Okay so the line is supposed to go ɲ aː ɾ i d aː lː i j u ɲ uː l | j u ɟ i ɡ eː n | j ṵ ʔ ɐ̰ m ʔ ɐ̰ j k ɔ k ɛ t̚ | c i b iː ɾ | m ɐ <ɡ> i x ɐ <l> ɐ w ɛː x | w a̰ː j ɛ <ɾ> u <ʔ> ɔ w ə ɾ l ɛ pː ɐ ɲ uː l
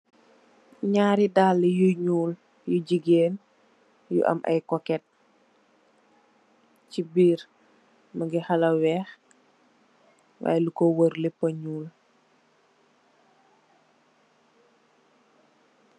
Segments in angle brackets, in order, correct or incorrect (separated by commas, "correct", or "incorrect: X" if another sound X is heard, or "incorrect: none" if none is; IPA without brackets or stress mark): correct, correct, incorrect: l, incorrect: k